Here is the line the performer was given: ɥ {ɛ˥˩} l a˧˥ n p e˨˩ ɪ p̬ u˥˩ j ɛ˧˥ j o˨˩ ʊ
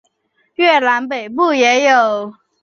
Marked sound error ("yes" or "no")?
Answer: no